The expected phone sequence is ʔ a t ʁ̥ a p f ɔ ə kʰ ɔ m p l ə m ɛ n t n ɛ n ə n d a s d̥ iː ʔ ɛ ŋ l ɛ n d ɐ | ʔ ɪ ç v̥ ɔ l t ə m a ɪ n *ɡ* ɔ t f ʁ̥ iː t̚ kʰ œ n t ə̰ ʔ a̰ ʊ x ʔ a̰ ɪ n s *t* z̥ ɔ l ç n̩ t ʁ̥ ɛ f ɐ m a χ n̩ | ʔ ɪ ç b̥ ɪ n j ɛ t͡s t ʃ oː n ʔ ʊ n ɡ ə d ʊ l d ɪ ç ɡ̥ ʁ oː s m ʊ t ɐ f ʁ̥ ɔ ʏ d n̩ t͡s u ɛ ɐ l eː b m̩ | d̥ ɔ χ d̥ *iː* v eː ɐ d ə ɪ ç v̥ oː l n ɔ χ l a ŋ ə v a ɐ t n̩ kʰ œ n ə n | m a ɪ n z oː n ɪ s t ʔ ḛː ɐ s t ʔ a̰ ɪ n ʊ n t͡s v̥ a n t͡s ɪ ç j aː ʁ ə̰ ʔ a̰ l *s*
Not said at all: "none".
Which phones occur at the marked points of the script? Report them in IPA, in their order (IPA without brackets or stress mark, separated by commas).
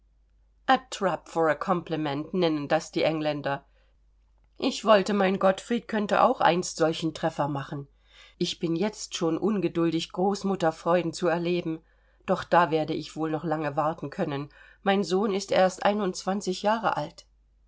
ɡ, t, aː, t